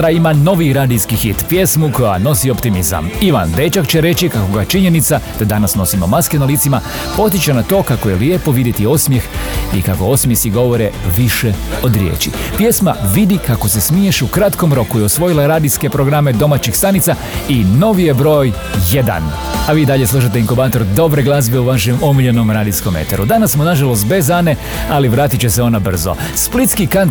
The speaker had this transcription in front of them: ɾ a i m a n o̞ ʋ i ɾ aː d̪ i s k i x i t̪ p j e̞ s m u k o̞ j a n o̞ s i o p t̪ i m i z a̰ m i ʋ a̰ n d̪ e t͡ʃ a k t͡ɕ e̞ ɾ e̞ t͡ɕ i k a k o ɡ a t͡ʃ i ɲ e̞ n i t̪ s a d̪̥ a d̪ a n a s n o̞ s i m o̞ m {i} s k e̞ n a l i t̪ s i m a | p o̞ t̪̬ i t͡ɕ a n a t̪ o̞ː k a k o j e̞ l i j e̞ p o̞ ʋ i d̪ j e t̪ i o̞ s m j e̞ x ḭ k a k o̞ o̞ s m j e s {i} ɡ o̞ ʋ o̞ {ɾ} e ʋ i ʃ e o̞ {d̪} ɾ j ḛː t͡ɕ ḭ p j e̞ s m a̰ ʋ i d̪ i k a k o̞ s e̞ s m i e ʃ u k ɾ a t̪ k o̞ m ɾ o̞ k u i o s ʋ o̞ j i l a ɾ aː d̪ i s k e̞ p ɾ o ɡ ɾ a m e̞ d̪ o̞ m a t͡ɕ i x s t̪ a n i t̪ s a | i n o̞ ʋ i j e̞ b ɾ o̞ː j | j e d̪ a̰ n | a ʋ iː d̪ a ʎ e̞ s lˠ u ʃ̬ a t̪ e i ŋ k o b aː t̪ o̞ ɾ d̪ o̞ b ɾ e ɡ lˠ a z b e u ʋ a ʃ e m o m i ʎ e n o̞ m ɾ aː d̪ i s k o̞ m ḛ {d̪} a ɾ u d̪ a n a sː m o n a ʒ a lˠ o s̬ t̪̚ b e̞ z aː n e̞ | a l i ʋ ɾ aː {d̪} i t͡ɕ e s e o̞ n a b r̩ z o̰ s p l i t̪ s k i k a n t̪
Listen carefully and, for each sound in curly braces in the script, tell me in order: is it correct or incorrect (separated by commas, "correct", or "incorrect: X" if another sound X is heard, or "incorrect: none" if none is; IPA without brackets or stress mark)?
incorrect: a, correct, correct, correct, incorrect: t̪, incorrect: t̪